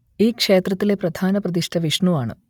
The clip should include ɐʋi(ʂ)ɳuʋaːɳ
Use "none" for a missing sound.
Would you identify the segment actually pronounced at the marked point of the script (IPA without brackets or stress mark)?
ʂ